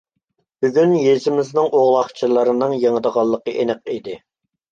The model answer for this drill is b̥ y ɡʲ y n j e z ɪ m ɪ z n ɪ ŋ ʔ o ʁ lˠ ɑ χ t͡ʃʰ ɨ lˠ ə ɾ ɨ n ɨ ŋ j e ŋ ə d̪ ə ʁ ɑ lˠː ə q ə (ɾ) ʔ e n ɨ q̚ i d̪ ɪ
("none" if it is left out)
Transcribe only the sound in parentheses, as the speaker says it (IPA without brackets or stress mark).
none